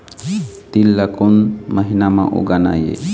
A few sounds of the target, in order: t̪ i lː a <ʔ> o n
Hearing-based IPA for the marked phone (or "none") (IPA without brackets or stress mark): k